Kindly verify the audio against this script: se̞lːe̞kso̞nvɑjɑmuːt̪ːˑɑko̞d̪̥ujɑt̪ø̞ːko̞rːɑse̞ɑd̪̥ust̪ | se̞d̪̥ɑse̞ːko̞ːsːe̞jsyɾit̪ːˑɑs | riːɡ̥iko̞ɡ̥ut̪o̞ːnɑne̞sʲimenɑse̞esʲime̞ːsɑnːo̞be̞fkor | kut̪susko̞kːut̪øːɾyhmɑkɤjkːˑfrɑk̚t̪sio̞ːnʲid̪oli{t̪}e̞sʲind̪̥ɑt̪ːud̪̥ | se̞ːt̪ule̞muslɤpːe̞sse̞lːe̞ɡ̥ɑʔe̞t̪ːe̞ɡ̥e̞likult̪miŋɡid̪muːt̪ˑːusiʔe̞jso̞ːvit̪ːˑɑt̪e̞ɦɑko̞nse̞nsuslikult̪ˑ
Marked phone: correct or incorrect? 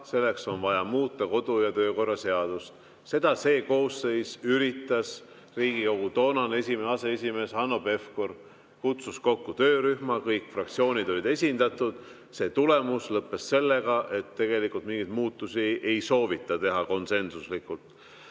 incorrect